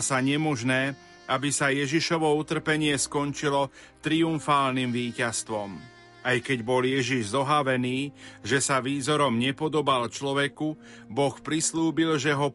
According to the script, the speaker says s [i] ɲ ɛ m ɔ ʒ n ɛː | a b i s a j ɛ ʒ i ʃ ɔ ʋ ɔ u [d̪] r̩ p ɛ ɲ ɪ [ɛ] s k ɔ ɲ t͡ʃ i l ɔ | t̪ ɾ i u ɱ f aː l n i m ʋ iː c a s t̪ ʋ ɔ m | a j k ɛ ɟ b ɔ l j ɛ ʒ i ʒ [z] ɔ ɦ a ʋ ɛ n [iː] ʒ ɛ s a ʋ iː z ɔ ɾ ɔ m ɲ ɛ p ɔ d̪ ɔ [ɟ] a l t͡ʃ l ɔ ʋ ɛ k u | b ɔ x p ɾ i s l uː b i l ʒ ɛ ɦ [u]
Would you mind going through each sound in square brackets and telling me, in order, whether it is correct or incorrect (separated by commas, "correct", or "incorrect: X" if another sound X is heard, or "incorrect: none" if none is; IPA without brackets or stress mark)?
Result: incorrect: a, incorrect: t̪, correct, correct, correct, incorrect: b, incorrect: ɔ